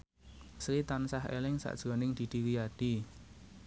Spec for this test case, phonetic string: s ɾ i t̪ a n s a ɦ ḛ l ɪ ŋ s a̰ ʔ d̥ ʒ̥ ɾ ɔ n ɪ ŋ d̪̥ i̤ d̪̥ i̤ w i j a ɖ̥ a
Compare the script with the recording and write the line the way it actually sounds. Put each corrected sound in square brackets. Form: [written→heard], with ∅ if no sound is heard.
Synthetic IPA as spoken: s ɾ i t̪ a n s a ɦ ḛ l ɪ ŋ s a̰ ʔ d̥ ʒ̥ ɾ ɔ n ɪ ŋ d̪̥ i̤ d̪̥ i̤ w i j a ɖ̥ [a→i]